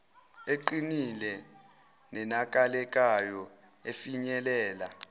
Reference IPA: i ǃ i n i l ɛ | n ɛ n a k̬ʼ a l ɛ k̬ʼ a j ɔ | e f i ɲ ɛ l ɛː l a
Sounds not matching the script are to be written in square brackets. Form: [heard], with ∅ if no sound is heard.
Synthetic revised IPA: [e] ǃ i n i l ɛ | n ɛ n a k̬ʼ a l ɛ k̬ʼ a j ɔ | e f i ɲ ɛ l ɛː l a